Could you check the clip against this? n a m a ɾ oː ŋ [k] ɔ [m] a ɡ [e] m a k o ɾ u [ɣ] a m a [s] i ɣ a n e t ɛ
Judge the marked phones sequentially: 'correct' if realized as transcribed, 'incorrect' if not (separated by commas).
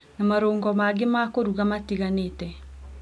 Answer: incorrect, correct, correct, correct, incorrect